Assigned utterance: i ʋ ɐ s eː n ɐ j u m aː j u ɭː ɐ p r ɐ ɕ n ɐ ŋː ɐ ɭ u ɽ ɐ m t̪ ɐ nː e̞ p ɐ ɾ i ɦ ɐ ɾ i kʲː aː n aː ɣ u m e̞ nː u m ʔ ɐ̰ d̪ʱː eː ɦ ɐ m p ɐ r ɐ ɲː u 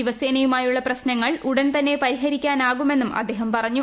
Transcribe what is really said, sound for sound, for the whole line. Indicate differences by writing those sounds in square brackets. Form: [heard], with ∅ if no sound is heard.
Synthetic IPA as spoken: i ʋ ɐ s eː n ɐ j u m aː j u ɭː ɐ p r ɐ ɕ n ɐ ŋː ɐ ɭ u ɽ ɐ [n] t̪ ɐ nː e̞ p ɐ ɾ i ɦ ɐ ɾ i kʲː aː n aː ɣ u m e̞ nː u m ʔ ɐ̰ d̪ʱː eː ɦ ɐ m p ɐ r ɐ ɲː u